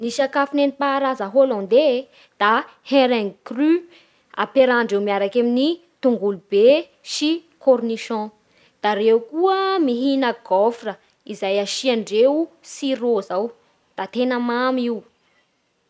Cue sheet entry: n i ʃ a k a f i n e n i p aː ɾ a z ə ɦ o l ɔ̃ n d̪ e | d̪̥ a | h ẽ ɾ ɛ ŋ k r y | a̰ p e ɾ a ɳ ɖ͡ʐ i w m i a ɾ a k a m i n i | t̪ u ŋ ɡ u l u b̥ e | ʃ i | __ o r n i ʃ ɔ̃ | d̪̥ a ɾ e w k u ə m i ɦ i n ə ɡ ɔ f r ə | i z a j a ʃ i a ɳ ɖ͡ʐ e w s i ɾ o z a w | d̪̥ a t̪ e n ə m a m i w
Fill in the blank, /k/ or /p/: k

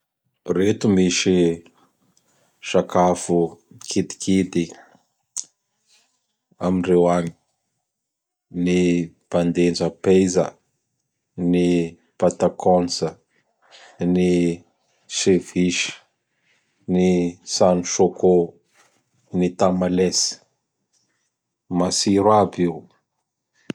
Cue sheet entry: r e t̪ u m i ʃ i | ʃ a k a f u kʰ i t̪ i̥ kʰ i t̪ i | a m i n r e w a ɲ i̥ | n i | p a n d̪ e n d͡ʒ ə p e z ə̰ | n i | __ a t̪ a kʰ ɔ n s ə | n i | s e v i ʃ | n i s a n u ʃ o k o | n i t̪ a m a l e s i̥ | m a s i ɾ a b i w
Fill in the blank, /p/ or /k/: p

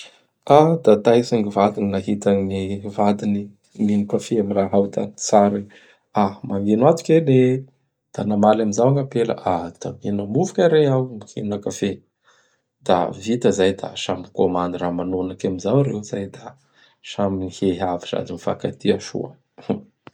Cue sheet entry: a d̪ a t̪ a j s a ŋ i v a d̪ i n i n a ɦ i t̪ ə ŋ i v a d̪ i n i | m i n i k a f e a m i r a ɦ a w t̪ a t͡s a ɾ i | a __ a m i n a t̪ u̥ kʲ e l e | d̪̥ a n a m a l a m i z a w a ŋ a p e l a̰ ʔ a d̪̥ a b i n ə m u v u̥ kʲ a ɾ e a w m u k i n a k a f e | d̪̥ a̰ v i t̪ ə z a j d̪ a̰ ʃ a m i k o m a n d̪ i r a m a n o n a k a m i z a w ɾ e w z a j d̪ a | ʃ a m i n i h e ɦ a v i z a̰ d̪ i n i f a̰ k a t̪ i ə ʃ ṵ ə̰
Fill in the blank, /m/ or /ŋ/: m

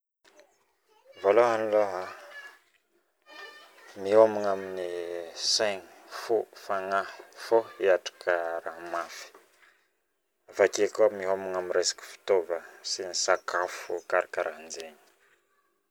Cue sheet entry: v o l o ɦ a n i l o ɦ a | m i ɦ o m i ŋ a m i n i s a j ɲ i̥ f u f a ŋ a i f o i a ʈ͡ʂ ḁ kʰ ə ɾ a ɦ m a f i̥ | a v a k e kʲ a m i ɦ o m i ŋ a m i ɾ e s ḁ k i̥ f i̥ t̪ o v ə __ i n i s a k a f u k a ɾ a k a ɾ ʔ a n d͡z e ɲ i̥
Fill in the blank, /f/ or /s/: s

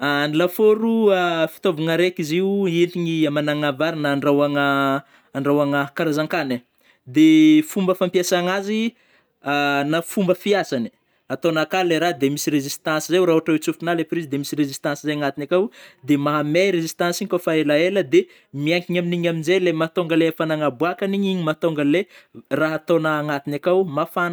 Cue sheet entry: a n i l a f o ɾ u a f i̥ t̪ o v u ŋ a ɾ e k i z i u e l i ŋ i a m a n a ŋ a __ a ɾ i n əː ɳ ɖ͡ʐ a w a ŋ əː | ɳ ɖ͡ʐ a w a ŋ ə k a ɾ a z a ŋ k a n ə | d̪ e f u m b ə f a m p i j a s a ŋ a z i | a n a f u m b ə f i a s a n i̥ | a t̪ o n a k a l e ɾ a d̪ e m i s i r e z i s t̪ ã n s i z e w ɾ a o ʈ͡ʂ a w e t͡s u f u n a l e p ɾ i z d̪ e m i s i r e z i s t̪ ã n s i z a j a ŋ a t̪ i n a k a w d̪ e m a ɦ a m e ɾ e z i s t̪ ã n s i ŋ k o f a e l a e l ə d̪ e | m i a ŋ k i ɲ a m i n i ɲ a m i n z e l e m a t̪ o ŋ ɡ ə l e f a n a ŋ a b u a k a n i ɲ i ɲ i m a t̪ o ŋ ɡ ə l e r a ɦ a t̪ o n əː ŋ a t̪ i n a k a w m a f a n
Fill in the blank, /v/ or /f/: v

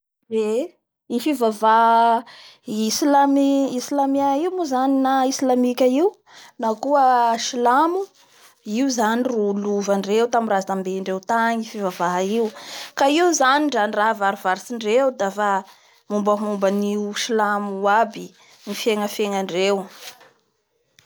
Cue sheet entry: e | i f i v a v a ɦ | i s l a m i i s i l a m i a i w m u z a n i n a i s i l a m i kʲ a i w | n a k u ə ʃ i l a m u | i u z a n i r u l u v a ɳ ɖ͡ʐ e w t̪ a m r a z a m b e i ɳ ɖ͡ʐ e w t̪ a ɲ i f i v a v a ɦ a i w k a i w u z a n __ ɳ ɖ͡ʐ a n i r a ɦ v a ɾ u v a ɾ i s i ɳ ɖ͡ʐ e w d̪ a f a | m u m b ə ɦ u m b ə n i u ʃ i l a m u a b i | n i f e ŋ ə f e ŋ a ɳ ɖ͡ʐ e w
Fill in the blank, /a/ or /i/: i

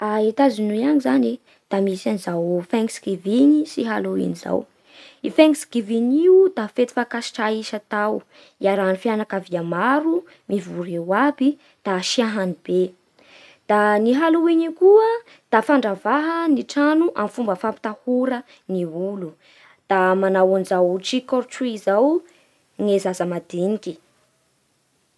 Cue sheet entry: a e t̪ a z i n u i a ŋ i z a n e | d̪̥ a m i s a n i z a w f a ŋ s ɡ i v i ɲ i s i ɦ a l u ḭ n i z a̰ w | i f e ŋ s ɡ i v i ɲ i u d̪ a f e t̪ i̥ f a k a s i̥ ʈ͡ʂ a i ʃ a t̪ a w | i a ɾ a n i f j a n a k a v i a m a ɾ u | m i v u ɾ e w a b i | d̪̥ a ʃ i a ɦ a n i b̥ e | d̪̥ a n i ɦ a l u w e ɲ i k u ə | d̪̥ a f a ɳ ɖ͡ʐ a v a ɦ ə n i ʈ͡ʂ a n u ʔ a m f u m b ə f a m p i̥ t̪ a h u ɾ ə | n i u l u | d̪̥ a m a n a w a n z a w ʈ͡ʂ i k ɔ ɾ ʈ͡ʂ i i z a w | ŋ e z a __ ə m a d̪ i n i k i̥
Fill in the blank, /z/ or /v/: z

